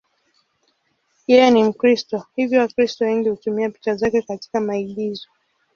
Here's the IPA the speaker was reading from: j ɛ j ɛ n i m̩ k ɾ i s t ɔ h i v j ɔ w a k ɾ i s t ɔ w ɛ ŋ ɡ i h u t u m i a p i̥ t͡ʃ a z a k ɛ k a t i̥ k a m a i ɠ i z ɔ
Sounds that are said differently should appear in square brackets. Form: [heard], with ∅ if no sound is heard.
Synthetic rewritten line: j ɛ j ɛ n i m̩ k ɾ i s t ɔ h i v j ɔ w a k ɾ i s t ɔ w ɛ ŋ ɡ i h u t u m i a p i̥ t͡ʃ a z a k ɛ k a t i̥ k a m a i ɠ i z ɔ